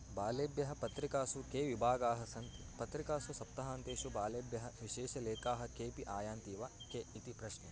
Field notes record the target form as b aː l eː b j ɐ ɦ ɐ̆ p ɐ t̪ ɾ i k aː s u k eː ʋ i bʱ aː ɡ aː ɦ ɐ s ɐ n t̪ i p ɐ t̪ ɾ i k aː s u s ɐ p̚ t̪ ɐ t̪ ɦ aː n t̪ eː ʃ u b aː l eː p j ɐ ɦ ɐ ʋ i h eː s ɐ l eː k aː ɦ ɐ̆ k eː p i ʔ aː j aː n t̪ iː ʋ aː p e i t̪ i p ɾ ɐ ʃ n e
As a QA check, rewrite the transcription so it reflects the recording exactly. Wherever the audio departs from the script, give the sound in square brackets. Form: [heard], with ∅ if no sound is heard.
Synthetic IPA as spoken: b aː l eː b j ɐ ɦ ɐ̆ p ɐ t̪ ɾ i k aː s u k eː ʋ i bʱ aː ɡ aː ɦ ɐ s ɐ n t̪ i p ɐ t̪ ɾ i k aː s u s ɐ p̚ t̪ ɐ [∅] ɦ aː n t̪ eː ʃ u b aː l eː [b] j ɐ ɦ ɐ ʋ i [ʃ] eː [ʃ] ɐ l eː k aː ɦ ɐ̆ k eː p i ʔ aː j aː n t̪ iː ʋ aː [k] e i t̪ i p ɾ ɐ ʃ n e